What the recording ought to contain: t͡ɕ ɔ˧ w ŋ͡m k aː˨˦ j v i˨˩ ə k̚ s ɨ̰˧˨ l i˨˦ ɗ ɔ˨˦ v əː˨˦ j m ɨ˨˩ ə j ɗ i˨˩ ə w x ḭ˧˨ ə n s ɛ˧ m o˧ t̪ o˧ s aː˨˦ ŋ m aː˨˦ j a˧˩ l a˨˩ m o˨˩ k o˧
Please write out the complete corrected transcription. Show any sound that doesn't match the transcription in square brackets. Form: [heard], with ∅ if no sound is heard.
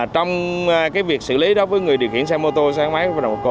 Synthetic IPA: t͡ɕ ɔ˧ w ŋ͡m k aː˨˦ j v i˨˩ ə k̚ s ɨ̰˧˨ l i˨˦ ɗ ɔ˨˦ v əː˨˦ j [ŋ] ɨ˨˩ ə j ɗ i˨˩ ə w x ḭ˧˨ ə n s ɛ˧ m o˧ t̪ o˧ s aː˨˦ ŋ m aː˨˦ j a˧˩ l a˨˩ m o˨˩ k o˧